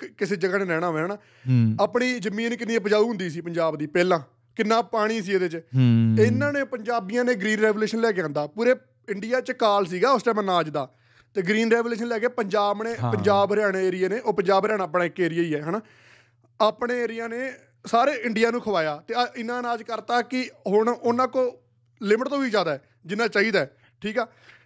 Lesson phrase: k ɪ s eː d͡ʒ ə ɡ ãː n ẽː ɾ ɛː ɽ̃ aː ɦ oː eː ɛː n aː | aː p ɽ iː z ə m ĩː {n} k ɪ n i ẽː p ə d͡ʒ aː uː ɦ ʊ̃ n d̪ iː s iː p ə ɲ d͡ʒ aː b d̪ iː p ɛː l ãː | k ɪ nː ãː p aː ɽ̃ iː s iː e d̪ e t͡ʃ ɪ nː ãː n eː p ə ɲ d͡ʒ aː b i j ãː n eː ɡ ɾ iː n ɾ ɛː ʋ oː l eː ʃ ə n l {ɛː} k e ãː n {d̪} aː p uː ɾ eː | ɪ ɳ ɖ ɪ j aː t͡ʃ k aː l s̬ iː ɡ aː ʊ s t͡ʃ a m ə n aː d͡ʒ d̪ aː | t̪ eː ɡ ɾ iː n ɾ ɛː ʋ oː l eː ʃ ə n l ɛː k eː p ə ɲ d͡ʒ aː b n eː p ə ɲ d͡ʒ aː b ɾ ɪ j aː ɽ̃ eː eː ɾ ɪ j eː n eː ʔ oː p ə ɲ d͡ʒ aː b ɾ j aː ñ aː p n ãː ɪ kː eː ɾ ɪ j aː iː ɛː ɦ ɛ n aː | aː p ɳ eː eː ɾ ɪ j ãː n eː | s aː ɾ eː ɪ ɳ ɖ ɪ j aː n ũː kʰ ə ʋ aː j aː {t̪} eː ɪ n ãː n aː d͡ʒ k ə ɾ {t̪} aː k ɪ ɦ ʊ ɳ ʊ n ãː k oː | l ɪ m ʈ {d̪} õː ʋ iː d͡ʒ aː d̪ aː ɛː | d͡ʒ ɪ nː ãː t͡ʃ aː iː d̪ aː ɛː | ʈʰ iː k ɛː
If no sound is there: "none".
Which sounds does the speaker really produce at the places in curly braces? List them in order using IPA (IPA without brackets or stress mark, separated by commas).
n, ɛː, d̪, t̪, t̪, t̪